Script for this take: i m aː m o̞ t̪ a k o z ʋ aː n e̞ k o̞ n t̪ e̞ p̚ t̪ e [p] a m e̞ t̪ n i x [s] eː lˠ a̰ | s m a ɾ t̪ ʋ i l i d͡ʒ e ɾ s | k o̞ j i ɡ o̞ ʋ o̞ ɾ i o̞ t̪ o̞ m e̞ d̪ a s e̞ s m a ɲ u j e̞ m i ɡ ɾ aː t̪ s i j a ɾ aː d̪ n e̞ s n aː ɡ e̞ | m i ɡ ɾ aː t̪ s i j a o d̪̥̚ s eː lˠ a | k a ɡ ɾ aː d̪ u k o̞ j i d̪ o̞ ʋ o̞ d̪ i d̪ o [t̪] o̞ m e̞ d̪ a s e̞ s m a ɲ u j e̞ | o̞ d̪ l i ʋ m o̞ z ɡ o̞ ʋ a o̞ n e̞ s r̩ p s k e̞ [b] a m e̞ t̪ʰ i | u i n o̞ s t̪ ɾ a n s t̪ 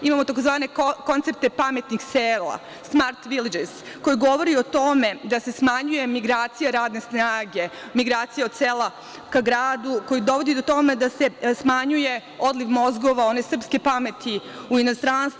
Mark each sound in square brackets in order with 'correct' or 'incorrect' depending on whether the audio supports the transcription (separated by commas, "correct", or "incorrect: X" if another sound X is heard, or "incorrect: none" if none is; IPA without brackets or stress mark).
correct, correct, correct, incorrect: p